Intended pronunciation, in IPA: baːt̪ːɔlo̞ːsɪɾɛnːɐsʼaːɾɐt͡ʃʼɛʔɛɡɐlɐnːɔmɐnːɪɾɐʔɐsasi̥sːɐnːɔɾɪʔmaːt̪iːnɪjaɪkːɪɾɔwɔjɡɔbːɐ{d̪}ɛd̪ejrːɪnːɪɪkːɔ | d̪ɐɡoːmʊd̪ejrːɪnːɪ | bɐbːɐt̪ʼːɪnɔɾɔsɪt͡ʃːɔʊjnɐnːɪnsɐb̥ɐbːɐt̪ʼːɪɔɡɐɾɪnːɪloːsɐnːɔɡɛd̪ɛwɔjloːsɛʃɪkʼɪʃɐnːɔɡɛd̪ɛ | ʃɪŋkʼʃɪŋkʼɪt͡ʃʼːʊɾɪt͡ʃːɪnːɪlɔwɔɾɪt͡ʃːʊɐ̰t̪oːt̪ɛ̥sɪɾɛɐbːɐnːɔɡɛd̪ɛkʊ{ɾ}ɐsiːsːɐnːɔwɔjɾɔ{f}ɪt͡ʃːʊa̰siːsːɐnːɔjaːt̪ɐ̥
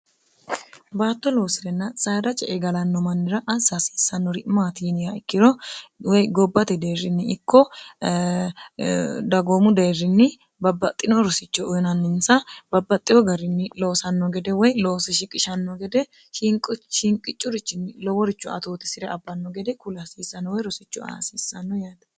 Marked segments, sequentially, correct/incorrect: incorrect: t̪, incorrect: l, incorrect: s

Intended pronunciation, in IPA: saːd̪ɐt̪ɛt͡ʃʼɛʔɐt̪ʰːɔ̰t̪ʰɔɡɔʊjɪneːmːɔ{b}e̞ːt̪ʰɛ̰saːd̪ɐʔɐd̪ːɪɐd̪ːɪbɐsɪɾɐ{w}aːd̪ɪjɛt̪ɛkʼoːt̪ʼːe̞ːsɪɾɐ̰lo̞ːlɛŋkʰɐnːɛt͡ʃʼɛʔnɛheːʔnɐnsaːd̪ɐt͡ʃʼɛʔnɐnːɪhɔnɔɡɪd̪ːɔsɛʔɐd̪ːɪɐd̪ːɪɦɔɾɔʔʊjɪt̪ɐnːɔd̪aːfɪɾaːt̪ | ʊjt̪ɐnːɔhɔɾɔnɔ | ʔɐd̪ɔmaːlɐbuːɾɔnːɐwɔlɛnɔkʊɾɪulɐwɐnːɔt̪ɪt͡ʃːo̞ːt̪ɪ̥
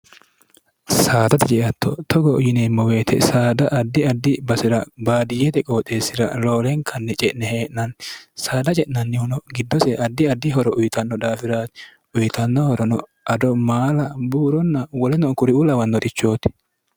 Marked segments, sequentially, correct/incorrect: incorrect: w, incorrect: b

